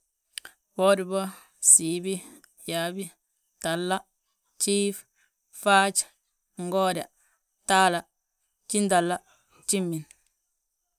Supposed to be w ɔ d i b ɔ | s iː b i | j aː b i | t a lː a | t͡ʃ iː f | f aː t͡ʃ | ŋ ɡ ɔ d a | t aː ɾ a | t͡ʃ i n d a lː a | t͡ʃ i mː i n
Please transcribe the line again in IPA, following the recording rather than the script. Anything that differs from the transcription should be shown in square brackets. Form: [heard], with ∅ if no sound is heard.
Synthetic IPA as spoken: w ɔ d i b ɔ | s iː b i | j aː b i | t a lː a | t͡ʃ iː f | f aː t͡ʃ | ŋ ɡ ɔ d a | t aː [l] a | t͡ʃ i n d a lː a | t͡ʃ i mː i n